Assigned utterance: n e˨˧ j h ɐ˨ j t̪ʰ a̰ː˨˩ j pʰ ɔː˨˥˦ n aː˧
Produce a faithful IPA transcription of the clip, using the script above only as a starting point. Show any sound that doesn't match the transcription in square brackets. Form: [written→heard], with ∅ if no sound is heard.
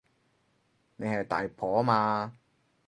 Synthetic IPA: n e˨˧ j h ɐ˨ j [t̪ʰ→t̪] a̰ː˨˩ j pʰ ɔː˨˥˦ [n→m] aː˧